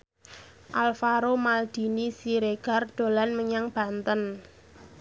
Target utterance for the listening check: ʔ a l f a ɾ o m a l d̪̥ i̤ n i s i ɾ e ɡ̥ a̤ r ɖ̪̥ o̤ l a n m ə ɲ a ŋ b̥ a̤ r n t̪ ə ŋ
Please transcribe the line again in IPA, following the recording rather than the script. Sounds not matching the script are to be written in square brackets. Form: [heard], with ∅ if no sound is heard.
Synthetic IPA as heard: ʔ a l f a ɾ o m a l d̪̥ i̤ n i s i ɾ e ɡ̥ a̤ r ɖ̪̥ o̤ l a n m ə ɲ a ŋ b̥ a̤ [∅] n t̪ ə [n]

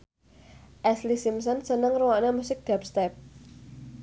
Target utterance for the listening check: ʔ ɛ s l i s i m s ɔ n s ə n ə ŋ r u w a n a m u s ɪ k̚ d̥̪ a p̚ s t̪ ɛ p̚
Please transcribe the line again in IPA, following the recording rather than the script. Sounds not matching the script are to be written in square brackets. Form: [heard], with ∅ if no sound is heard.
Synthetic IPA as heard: ʔ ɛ s l i s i m s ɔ n s ə n ə ŋ r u w a n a m u s ɪ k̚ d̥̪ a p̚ s t̪ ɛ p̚

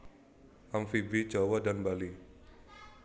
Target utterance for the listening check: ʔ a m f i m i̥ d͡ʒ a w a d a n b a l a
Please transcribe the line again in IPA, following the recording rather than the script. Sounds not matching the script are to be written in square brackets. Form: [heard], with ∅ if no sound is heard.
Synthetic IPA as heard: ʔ a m f i [b] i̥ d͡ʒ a w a d a n b a l [i]

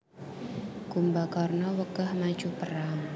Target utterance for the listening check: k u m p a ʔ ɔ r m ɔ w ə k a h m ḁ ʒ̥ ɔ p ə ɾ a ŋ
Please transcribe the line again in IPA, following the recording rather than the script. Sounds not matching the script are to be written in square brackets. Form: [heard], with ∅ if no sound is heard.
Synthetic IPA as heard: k u m [b] a [k] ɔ r [n] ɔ w ə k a h m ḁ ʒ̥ [u] p ə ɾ a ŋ

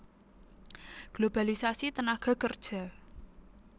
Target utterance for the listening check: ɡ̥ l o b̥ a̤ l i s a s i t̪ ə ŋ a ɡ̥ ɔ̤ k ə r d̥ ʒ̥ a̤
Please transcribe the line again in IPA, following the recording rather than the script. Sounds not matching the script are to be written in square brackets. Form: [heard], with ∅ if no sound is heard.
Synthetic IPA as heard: ɡ̥ l o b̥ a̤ l i s a s i t̪ ə [n] a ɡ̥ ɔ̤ k ə r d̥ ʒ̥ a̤

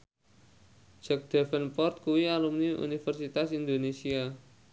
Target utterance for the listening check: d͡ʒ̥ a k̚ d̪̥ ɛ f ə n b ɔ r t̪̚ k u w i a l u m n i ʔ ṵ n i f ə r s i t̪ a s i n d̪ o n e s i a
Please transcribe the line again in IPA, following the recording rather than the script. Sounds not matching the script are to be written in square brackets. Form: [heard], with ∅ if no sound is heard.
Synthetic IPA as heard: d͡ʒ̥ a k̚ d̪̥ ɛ f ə n [p] ɔ r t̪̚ k u w i a l u m n i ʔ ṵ n i f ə r s i t̪ a s i n d̪ o n e s i a

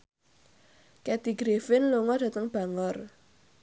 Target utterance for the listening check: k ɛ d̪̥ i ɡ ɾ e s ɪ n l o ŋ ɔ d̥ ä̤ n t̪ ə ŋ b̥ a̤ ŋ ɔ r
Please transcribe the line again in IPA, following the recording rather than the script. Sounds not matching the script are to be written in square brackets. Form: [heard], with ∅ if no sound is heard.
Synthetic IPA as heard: k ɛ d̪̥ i ɡ ɾ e [f] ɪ n l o ŋ ɔ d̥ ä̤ [∅] t̪ ə ŋ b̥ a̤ ŋ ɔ r

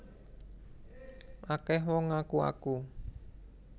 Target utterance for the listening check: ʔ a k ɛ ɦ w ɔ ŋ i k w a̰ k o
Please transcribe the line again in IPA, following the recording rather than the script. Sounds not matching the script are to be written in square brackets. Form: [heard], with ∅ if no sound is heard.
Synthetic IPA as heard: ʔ a k ɛ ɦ w ɔ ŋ [a] k [u] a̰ k [u]

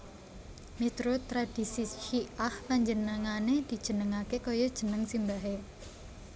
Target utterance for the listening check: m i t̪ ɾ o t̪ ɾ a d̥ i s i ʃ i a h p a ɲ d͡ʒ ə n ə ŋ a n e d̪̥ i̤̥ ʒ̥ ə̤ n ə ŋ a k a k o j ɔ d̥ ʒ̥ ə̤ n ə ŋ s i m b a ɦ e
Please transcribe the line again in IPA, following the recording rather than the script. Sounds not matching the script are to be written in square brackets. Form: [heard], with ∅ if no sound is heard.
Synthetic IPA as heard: m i t̪ ɾ o t̪ ɾ a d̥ i s i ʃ i a h p a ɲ d͡ʒ ə n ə ŋ a n e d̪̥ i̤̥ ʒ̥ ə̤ n ə ŋ a k [e] k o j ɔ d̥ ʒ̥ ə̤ n ə ŋ s i m b a ɦ e

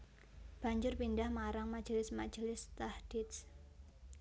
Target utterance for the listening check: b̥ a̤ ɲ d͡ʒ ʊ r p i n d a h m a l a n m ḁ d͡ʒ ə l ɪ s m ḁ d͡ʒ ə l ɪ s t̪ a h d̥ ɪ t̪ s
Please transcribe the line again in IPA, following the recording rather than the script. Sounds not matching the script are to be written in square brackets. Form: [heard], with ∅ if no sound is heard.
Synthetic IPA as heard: b̥ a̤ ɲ d͡ʒ ʊ r p i n d a h m a [ɾ] a [ŋ] m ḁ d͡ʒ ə l ɪ s m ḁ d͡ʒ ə l ɪ s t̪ a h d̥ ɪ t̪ s

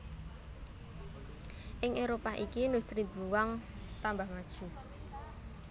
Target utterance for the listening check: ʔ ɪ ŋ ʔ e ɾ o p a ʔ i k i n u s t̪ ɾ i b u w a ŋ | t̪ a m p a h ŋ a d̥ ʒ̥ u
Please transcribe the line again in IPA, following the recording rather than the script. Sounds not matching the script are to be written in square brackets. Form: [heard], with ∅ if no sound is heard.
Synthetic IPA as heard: ʔ ɪ ŋ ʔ e ɾ o p a ʔ i k i n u s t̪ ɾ i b u w a ŋ | t̪ a m [b] a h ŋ a d̥ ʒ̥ u

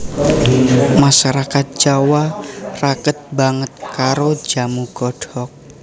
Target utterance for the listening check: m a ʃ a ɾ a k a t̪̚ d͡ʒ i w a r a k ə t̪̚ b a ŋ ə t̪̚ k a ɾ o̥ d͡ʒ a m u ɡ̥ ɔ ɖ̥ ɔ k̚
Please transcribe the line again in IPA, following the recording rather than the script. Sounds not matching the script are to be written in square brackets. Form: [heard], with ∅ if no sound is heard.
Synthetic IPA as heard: m a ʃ a ɾ a k a t̪̚ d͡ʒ [a] w a r a k ə t̪̚ b a ŋ ə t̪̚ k a ɾ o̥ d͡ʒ a m u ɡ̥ ɔ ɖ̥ ɔ k̚

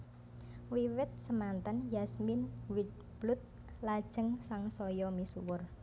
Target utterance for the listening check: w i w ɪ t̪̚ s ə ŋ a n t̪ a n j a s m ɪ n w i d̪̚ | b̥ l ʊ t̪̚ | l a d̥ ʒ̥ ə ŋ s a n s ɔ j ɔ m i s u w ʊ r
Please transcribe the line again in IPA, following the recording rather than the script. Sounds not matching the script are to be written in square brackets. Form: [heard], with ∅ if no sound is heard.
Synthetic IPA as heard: w i w ɪ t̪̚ s ə [m] a n t̪ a n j a s m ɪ n w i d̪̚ | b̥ l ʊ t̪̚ | l a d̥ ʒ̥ ə ŋ s a [ŋ] s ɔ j ɔ m i s u w ʊ r

